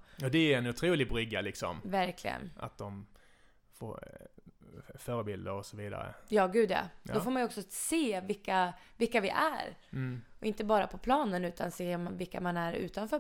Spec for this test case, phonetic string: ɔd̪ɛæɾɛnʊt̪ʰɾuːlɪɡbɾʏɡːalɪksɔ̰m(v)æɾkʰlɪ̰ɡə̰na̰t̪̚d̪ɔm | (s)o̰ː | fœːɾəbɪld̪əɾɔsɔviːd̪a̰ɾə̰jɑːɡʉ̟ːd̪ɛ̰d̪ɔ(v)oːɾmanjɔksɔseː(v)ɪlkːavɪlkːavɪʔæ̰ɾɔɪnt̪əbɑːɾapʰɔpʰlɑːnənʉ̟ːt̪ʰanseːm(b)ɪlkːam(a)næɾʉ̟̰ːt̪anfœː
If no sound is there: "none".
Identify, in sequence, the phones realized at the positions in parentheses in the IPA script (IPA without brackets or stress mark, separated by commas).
v, f, f, v, v, a